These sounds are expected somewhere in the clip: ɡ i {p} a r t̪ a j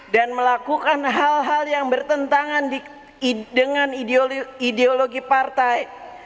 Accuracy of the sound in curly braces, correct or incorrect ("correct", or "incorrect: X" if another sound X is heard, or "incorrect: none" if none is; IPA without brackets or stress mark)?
correct